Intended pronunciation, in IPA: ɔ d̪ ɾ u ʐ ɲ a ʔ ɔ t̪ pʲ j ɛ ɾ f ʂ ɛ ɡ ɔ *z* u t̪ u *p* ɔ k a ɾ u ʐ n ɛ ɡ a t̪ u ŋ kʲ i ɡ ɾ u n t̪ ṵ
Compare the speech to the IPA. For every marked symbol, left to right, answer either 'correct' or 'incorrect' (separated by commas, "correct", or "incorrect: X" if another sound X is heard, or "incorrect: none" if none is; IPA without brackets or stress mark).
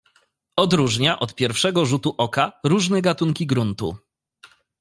incorrect: ʐ, incorrect: ʔ